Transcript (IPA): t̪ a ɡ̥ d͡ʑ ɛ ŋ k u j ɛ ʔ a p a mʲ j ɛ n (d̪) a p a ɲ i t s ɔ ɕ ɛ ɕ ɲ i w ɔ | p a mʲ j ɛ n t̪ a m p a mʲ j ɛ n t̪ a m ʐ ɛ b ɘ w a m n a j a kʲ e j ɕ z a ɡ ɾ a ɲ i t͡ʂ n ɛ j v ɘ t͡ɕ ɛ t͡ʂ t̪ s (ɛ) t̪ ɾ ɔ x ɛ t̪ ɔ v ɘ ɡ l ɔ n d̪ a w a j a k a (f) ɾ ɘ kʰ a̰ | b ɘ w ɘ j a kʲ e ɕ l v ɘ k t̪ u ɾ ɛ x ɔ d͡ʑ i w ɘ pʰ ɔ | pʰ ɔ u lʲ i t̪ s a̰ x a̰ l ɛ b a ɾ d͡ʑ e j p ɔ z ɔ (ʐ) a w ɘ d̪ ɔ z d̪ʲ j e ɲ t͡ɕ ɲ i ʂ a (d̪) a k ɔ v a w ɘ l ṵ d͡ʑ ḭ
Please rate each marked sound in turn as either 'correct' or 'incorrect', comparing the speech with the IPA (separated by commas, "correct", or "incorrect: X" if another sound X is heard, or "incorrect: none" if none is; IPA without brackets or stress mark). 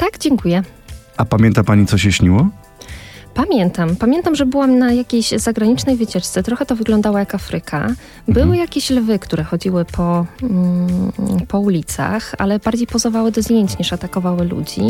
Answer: incorrect: t̪, correct, correct, incorrect: v, incorrect: t̪